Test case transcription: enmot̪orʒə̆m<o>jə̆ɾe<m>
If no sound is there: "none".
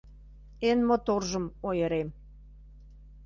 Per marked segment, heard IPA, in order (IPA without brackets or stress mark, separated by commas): o, m